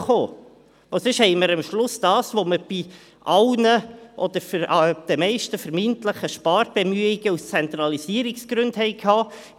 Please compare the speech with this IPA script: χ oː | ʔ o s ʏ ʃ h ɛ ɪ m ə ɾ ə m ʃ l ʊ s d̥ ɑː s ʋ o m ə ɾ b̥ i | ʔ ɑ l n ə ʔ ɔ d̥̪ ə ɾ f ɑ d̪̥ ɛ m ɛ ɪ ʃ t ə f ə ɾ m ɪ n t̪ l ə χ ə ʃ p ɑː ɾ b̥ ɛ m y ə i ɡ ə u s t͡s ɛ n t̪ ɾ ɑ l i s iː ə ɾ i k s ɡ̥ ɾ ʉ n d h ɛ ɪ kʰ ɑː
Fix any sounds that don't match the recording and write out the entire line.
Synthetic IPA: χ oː | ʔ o s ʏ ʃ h ɛ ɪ m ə ɾ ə m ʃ l ʊ s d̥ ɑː s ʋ o m ə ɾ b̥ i | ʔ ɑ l n ə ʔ ɔ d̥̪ ə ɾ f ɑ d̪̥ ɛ m ɛ ɪ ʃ t ə f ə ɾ m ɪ n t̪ l ə χ ə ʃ p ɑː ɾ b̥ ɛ m y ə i ɡ ə u s t͡s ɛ n t̪ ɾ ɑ l i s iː ə ɾ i k s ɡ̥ ɾ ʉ n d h ɛ ɪ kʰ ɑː